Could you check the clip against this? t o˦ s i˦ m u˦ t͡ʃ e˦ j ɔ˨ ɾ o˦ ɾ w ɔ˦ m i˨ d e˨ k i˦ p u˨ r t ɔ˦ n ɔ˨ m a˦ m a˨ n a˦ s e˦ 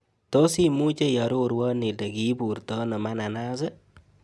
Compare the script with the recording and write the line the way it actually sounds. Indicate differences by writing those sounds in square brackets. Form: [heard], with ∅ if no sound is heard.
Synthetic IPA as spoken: t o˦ s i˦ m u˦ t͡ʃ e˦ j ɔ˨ ɾ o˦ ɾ w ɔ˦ [n] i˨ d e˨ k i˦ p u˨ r t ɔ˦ n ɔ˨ m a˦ [n] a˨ n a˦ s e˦